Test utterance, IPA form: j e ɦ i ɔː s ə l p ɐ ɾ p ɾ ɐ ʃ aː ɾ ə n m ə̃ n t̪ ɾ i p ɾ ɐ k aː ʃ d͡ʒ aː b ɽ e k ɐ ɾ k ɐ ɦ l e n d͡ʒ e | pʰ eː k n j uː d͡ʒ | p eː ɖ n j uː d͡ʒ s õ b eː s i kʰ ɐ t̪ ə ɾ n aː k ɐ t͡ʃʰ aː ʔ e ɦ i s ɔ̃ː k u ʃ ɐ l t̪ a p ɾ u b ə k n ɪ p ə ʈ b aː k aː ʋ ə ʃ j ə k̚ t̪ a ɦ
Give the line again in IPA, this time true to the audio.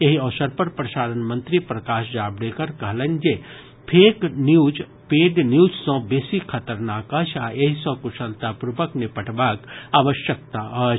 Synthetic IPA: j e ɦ i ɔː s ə ɾ p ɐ ɾ p ɾ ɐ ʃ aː ɾ ə n m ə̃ n t̪ ɾ i p ɾ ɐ k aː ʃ d͡ʒ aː b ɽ e k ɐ ɾ k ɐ ɦ l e n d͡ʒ e | pʰ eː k n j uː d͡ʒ | p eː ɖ n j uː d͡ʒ s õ b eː s i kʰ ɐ t̪ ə ɾ n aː k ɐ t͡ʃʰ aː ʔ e ɦ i s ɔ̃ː k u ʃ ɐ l t̪ a p ɾ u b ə k n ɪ p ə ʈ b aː k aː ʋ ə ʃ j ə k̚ t̪ a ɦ